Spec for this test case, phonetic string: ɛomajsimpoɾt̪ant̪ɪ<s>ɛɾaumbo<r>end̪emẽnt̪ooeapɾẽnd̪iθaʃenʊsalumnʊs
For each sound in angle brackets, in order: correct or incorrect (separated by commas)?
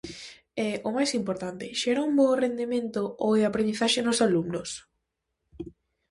incorrect, correct